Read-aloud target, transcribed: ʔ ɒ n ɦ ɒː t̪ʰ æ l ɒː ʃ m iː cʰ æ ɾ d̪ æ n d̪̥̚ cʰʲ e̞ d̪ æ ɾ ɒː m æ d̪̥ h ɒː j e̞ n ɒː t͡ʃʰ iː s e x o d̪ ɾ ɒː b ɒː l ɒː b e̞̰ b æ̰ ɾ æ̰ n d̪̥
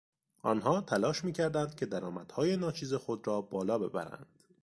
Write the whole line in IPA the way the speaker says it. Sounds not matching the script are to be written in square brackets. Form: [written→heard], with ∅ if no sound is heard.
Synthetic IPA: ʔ ɒ n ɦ ɒː t̪ʰ æ l ɒː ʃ m iː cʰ æ ɾ d̪ æ n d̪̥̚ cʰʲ e̞ d̪ æ ɾ ɒː m æ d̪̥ h ɒː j e̞ n ɒː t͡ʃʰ iː [s→z] e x o d̪ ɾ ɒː b ɒː l ɒː b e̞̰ b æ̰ ɾ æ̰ n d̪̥